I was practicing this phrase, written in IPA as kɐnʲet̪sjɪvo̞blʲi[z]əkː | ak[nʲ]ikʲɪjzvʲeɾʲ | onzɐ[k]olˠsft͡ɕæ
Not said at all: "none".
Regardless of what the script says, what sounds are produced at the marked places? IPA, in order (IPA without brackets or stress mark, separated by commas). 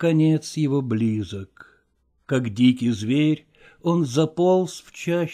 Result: z, dʲ, p